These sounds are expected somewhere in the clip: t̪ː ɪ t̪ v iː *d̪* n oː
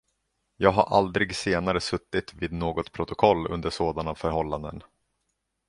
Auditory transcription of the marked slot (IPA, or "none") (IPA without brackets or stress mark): d̪